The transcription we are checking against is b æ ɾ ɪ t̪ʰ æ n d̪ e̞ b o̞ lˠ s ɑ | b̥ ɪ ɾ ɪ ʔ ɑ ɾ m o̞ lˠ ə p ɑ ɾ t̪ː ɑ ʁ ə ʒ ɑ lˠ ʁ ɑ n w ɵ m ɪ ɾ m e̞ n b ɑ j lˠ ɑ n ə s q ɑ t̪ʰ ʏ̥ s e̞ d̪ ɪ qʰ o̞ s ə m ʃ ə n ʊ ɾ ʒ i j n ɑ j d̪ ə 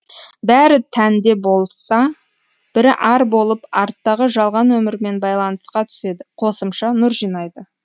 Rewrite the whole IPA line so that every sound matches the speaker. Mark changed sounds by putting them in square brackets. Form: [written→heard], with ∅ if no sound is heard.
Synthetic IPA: b æ ɾ ɪ t̪ʰ æ n d̪ e̞ b o̞ lˠ s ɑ | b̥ ɪ ɾ ɪ ʔ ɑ ɾ [m→b] o̞ lˠ ə p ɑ ɾ t̪ː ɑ ʁ ə ʒ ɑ lˠ ʁ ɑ n w ɵ m ɪ ɾ m e̞ n b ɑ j lˠ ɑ n ə s q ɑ t̪ʰ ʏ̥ s e̞ d̪ ɪ qʰ o̞ s ə m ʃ [ə→ɑ] n ʊ ɾ ʒ i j n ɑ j d̪ ə